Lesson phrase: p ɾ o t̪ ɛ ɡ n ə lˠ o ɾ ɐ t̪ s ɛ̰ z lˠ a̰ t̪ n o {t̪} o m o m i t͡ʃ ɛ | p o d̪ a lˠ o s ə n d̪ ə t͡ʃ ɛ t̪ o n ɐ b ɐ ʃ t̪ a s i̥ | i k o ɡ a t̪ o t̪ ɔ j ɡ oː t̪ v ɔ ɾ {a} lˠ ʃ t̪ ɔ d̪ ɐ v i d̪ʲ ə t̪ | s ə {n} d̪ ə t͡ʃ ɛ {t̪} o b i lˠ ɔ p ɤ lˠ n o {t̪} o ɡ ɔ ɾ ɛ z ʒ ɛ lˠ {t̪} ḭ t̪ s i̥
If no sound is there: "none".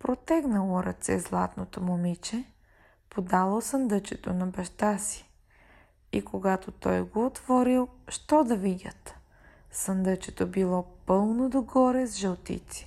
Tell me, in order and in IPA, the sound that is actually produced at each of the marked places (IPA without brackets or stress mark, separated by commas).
t̪, i, n, t̪, d̪, t̪